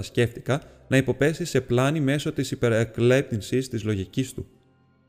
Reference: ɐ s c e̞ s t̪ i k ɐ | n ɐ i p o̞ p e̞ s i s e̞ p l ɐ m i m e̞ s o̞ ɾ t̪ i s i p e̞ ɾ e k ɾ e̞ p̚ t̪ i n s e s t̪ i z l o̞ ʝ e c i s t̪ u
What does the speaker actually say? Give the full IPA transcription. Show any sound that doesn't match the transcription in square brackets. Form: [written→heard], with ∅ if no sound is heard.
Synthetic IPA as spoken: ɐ s c e̞ [s→f] t̪ i k ɐ | n ɐ i p o̞ p e̞ s i s e̞ p l ɐ [m→n] i m e̞ s o̞ [ɾ→∅] t̪ i s i p e̞ ɾ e k [ɾ→l] e̞ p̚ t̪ i n s [e→i] s t̪ i z l o̞ ʝ [e→i] c i s t̪ u